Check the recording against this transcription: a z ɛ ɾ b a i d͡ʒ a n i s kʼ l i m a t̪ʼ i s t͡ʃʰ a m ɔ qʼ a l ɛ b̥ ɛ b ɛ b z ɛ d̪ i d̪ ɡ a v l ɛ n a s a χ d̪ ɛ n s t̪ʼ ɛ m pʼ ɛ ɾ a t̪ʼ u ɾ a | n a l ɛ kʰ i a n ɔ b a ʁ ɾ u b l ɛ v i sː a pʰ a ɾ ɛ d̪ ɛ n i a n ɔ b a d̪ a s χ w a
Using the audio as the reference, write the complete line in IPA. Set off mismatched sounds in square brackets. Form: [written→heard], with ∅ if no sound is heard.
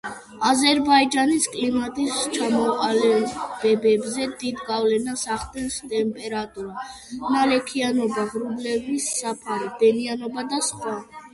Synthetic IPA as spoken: a z ɛ ɾ b a i d͡ʒ a n i s kʼ l i m a t̪ʼ i s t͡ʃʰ a m ɔ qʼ a l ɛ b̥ ɛ b ɛ b z ɛ d̪ i d̪ ɡ a v l ɛ n a s a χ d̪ ɛ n s t̪ʼ ɛ m pʼ ɛ ɾ a t̪ʼ u ɾ a | n a l ɛ kʰ i a n ɔ b a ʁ ɾ u b l ɛ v i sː a pʰ a ɾ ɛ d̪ ɛ n i a n ɔ b a d̪ a s χ w a